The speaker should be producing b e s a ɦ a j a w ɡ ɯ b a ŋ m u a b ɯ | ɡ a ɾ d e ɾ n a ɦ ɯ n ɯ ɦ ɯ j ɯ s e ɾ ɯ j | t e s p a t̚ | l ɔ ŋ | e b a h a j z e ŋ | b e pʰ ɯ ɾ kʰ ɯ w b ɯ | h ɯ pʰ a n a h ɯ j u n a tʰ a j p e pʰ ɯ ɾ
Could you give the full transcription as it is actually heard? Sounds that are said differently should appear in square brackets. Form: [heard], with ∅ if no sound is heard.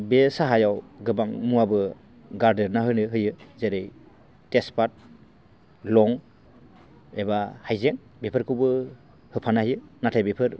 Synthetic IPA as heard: b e s a ɦ a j a w ɡ ɯ b a ŋ m u a b ɯ | ɡ a ɾ d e ɾ n a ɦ ɯ n ɯ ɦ ɯ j ɯ [z] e ɾ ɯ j | t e s p a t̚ | l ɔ ŋ | e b a h a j z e ŋ | b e pʰ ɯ ɾ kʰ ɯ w b ɯ | h ɯ pʰ a n a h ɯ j [ɯ] n a tʰ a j [b] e pʰ ɯ ɾ